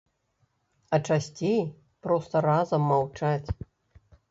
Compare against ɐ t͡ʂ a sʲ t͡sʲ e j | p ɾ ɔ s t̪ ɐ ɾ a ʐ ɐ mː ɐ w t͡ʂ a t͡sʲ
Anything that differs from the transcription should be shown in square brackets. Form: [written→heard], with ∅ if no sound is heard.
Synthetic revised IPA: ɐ t͡ʂ a sʲ t͡sʲ e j | p ɾ ɔ s t̪ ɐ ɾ a [ʐ→z] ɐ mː [ɐ→a] w t͡ʂ a t͡sʲ